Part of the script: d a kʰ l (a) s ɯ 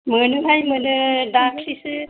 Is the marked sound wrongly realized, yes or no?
yes